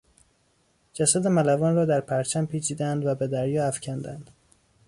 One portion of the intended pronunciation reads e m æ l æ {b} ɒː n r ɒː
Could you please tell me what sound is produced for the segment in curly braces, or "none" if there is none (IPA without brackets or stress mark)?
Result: v